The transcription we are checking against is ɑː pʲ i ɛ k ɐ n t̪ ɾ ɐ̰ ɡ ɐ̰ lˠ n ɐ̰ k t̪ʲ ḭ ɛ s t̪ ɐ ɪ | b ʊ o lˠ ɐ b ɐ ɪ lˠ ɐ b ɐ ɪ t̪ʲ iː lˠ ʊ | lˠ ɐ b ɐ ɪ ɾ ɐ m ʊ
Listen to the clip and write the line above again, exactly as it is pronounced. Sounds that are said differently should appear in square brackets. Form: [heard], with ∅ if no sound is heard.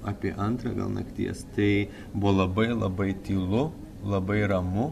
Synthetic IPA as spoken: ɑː pʲ i ɛ [ʔ] ɐ n t̪ ɾ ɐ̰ ɡ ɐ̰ lˠ n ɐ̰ k t̪ʲ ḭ ɛ s t̪ ɐ ɪ | b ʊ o lˠ ɐ b ɐ ɪ lˠ ɐ b ɐ ɪ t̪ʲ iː lˠ ʊ | lˠ ɐ b ɐ ɪ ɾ ɐ m ʊ